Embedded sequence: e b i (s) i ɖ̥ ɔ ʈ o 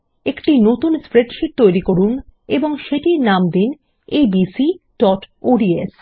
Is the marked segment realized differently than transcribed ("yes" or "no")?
no